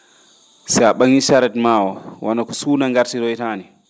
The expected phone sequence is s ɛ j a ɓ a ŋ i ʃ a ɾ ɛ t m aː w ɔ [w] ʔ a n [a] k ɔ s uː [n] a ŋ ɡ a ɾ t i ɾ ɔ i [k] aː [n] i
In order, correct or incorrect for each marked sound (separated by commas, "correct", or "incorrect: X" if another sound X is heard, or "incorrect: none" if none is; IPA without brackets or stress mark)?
correct, correct, correct, incorrect: t, correct